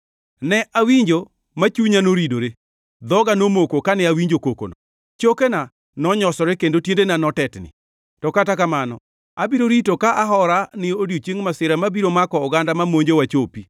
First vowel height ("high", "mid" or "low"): mid